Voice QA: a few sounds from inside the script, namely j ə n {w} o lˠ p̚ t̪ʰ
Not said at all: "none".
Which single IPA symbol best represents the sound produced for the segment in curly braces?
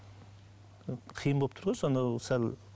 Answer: b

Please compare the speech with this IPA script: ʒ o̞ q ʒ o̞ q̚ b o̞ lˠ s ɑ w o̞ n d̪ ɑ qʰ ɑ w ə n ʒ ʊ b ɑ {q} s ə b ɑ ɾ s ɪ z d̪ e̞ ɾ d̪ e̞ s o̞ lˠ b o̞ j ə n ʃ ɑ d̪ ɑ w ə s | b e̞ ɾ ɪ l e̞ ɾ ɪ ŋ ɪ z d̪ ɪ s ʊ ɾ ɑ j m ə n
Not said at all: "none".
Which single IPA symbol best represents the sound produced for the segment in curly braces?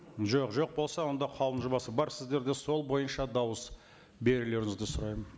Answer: none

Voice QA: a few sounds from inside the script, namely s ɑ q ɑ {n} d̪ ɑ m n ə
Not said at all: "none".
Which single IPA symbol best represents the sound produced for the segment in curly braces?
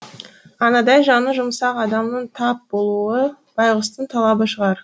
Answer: none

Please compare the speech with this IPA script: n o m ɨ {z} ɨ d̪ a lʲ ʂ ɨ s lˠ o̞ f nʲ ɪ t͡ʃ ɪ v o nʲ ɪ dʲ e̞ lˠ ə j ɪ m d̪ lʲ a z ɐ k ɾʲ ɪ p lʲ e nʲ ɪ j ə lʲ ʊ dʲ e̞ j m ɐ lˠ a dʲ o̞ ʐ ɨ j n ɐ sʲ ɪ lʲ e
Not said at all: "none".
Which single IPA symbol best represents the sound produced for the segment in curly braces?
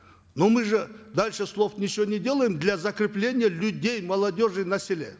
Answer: ʐ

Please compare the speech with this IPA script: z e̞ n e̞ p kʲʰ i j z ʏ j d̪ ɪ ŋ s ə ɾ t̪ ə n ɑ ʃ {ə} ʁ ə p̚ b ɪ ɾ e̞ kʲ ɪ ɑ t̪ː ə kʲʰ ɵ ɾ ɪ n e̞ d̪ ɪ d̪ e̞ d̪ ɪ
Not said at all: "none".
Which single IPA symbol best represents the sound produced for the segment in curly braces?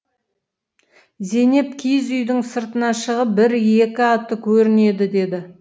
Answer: ə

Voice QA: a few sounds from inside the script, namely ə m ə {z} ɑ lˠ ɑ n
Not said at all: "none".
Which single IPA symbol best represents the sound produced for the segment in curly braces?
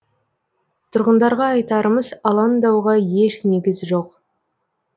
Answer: z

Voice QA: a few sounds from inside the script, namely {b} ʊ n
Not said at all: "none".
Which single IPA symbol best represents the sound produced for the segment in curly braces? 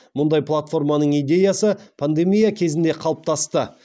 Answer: m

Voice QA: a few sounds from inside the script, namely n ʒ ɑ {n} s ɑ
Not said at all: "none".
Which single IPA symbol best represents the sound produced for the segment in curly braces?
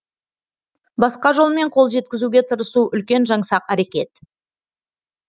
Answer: ɴ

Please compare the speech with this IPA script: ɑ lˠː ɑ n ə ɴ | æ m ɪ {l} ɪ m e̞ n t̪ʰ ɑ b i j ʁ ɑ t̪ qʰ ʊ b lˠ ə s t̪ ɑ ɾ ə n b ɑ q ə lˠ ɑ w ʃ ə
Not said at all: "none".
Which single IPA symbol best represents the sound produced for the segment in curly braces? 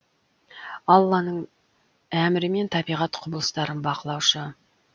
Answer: ɾ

